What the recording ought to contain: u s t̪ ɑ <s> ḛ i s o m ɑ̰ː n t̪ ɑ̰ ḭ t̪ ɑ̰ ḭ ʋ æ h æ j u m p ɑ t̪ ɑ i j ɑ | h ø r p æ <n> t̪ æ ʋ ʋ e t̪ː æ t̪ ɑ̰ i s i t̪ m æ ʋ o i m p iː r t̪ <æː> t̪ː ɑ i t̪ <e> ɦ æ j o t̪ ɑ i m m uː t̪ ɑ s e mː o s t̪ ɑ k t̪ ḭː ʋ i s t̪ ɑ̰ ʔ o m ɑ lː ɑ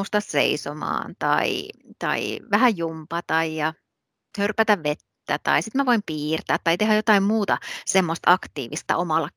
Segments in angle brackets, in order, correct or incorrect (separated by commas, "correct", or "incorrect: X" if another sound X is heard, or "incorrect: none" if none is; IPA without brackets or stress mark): correct, incorrect: none, correct, correct